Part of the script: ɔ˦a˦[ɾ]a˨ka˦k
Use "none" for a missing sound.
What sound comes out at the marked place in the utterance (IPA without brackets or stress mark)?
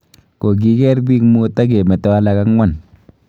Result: l